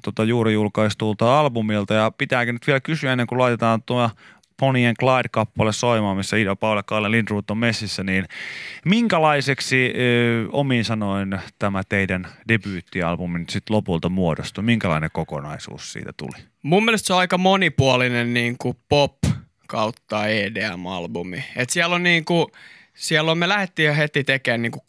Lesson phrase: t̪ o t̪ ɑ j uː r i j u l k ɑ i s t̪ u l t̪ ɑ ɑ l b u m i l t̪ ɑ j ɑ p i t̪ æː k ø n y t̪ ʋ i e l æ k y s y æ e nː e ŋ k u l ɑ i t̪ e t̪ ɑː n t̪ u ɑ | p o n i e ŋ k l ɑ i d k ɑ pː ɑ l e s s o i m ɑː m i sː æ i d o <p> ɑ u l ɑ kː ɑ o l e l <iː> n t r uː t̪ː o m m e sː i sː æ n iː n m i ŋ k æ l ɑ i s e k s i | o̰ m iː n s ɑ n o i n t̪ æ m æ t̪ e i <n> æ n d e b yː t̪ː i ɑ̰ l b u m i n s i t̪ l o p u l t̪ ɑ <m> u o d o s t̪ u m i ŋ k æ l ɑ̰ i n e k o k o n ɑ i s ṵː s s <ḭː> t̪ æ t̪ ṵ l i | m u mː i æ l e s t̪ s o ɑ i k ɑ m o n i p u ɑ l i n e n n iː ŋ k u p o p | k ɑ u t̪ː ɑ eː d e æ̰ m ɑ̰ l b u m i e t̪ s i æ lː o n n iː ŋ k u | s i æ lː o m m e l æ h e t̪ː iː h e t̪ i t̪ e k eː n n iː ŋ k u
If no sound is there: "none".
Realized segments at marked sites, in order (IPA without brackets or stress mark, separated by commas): p, i, d, m, ḭː